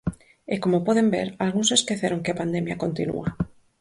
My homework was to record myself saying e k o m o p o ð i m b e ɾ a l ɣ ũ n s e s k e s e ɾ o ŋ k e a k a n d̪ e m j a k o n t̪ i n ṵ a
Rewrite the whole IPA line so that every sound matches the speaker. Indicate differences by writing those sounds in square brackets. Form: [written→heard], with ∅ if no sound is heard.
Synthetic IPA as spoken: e k o m o p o ð [i→e] m b e ɾ a l ɣ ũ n s e s k e [s→θ] e ɾ o ŋ k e a [k→p] a n d̪ e m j a k o n t̪ i n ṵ a